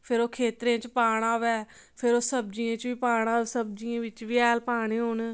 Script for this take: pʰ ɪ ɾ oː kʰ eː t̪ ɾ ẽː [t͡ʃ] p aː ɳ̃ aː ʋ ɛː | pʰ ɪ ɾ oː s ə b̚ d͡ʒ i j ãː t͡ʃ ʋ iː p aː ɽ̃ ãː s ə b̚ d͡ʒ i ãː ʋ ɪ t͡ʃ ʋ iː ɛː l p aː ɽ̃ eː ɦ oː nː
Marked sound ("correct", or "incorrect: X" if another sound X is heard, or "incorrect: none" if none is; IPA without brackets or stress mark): correct